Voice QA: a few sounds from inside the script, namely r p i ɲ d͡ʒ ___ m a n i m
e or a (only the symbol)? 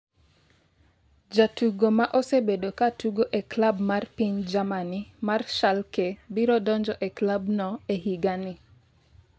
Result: a